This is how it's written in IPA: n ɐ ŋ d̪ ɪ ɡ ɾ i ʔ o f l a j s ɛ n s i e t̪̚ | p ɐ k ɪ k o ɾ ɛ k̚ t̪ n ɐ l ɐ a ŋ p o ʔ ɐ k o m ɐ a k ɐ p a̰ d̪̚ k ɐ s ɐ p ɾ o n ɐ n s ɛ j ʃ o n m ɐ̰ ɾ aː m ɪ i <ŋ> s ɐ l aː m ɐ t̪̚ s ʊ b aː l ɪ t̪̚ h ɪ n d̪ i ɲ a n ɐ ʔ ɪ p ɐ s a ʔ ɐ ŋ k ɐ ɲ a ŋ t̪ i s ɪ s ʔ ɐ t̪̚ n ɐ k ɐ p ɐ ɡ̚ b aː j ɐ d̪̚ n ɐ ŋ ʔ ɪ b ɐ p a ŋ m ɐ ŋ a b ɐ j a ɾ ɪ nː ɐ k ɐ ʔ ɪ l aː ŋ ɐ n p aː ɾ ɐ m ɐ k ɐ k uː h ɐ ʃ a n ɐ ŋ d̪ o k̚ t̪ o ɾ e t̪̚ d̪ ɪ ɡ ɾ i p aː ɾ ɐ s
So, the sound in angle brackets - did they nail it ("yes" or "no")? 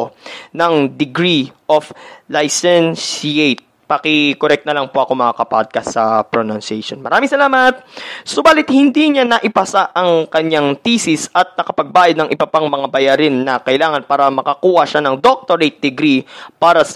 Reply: yes